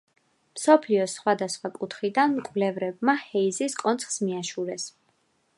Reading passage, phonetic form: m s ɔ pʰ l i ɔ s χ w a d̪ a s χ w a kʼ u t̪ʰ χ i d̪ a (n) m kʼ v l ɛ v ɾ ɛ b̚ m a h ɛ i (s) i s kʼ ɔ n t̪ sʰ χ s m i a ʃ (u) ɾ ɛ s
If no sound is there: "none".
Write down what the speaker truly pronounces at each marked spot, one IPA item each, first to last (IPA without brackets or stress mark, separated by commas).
n, z, u